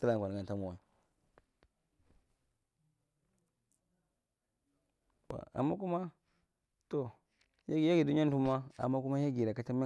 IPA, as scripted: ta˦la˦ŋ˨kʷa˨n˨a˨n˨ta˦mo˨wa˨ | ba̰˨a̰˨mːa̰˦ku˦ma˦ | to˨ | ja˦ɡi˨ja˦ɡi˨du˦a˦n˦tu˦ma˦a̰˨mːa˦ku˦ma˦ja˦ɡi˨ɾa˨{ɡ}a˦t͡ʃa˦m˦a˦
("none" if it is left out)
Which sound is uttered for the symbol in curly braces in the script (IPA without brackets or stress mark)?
k